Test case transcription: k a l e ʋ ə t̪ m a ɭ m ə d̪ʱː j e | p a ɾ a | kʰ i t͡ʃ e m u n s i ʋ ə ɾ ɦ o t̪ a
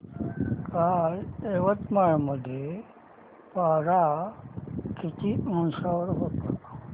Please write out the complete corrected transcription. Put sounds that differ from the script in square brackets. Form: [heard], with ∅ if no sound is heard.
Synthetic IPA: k a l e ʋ ə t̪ m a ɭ m ə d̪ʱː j e | p a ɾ a | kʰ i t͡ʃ [i] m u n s [a] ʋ ə ɾ ɦ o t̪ a